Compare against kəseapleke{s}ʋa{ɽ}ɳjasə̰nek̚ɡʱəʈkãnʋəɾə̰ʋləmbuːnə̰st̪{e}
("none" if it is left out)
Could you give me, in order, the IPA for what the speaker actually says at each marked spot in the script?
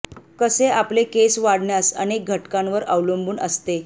s, ɽ, e

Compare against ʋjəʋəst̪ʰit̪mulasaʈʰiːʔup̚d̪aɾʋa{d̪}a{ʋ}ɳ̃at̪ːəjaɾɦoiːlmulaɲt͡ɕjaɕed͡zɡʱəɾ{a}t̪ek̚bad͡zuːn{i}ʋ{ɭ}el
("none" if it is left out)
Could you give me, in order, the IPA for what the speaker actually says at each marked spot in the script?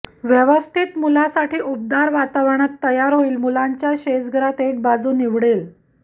t̪, ʋ, a, i, ɽ

